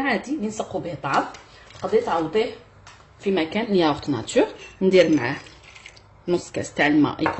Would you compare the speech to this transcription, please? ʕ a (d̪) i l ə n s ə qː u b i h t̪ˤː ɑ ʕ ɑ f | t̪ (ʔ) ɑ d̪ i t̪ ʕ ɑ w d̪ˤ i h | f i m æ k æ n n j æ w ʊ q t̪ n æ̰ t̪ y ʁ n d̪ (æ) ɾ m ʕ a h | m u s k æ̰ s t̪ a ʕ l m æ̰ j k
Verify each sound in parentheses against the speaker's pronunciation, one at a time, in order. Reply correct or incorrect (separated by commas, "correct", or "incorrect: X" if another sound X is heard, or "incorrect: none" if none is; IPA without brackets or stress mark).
correct, incorrect: q, incorrect: i